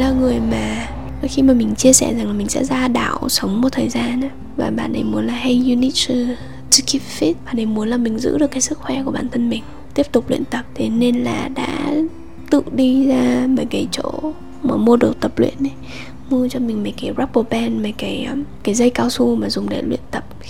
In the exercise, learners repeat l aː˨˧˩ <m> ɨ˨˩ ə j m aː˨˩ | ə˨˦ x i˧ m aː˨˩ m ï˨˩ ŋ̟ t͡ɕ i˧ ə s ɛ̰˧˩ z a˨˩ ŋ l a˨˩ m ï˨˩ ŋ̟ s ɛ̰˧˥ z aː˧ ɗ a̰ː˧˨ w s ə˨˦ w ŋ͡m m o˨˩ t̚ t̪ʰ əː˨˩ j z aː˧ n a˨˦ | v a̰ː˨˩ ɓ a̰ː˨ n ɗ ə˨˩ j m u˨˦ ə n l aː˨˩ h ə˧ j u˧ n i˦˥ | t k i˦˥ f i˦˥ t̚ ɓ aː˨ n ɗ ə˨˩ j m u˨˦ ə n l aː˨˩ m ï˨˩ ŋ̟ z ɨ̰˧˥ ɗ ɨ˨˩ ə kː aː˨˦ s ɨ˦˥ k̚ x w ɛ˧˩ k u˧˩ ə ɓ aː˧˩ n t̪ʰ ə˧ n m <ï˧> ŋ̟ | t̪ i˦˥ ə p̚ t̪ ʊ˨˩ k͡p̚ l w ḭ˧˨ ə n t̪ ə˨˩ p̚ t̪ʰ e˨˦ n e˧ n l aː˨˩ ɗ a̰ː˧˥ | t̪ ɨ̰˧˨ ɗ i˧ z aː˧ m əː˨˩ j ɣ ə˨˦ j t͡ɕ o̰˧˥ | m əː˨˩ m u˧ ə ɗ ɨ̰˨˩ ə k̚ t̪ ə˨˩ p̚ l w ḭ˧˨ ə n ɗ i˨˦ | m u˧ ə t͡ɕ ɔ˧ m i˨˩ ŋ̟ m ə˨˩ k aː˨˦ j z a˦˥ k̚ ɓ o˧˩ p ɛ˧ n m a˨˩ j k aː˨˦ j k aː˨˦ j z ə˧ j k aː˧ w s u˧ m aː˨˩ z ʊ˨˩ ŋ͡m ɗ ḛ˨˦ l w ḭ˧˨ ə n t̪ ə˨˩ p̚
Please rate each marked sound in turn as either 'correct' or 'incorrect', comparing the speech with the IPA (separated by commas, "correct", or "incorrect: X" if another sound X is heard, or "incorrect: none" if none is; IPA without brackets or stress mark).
incorrect: ŋ, incorrect: ï˨˩